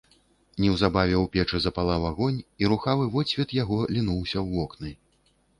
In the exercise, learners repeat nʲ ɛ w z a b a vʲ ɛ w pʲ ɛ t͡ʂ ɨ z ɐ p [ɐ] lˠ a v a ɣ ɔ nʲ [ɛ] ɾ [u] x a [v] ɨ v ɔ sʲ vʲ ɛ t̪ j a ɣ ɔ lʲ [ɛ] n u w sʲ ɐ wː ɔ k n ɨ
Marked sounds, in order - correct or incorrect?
incorrect: a, incorrect: i, correct, correct, incorrect: i

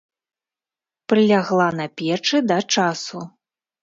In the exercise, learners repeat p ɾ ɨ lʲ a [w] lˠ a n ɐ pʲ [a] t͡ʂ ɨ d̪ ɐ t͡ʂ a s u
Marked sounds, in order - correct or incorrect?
incorrect: ɣ, incorrect: ɛ

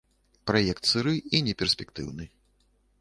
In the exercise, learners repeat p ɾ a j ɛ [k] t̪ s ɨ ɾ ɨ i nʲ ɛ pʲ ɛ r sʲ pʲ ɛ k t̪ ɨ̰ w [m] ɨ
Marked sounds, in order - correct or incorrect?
correct, incorrect: n

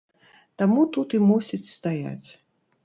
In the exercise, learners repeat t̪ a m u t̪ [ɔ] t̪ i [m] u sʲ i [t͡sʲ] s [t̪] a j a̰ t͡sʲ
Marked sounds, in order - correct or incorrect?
incorrect: u, correct, correct, correct

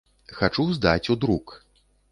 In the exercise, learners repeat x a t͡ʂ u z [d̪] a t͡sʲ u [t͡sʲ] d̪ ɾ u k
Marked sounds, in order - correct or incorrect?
correct, incorrect: none

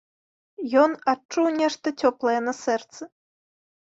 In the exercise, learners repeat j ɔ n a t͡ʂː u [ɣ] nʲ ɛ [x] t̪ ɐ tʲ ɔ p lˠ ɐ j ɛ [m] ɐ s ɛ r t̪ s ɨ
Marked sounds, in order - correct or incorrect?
incorrect: w, incorrect: ʂ, incorrect: n

